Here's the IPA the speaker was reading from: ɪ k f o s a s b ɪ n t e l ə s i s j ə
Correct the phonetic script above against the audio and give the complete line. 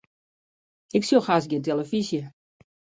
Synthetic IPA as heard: ɪ k s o x a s ɡ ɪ n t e l ə f i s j ə